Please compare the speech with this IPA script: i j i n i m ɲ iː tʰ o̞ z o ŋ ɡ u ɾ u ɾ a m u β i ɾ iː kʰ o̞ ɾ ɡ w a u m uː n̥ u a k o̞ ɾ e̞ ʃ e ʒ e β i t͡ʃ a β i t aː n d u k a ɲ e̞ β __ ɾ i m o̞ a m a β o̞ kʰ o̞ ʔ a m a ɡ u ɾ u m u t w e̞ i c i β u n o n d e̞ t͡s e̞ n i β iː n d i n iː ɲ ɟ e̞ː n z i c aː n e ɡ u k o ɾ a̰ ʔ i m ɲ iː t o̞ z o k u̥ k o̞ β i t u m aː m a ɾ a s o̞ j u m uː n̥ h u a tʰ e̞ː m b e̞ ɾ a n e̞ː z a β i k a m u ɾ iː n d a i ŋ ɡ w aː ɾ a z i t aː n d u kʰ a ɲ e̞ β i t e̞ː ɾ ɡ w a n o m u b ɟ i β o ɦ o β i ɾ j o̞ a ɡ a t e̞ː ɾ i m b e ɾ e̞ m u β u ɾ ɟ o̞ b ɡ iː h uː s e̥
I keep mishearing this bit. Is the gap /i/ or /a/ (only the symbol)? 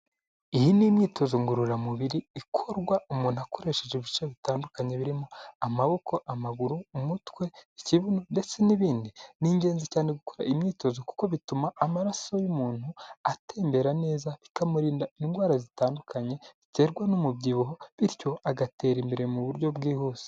i